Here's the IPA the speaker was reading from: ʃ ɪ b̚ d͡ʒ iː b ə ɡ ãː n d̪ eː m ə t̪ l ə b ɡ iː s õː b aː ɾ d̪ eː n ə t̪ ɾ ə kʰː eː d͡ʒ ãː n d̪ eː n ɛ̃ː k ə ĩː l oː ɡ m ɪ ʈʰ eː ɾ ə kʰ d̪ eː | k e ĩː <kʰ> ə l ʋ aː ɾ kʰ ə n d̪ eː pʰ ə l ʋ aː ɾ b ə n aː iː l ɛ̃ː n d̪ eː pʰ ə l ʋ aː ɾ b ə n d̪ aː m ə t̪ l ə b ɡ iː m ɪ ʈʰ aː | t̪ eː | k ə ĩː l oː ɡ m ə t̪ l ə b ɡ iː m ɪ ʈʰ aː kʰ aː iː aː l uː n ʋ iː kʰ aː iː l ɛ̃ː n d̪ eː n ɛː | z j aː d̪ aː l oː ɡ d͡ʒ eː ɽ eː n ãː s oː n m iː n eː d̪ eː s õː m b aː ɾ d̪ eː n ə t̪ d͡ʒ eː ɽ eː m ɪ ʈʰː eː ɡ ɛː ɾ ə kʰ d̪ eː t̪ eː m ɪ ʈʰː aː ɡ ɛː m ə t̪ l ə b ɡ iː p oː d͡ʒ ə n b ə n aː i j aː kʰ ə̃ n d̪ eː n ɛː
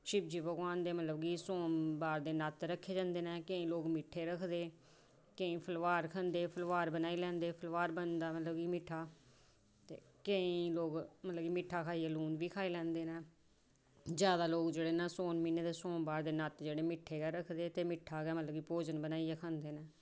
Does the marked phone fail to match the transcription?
yes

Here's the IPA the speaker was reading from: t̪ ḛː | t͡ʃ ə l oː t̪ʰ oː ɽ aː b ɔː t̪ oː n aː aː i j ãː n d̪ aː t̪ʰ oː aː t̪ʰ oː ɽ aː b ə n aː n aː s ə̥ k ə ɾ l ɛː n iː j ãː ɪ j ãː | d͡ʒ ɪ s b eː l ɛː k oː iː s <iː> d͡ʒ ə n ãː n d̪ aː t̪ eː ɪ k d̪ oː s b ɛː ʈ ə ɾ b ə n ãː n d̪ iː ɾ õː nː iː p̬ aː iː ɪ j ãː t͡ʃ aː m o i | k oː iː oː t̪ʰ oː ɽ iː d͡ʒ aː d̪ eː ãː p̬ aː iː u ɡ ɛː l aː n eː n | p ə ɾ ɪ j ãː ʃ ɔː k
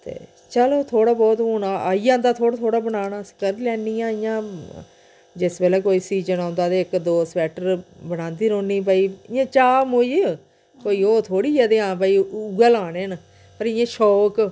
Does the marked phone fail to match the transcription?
no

